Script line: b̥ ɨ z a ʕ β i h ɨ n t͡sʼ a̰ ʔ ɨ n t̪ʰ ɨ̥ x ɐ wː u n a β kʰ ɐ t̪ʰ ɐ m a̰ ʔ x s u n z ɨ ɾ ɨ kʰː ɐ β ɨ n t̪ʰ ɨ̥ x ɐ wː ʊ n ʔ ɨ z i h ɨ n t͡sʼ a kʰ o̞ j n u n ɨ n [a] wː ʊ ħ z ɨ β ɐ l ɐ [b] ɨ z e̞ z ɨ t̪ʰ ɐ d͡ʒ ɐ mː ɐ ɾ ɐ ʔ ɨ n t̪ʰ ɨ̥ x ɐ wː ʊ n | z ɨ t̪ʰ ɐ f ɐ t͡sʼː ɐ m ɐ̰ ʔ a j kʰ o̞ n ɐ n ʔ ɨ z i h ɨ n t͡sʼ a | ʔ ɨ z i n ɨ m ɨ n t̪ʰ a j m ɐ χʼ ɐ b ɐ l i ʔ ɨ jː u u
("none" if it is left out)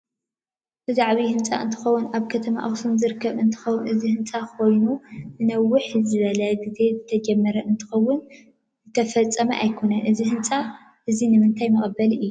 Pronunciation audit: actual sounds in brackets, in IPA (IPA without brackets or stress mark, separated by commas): ɐ, ɡ